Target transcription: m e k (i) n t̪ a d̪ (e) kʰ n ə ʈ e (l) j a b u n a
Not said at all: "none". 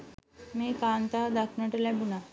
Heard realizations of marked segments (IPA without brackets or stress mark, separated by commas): a, a, l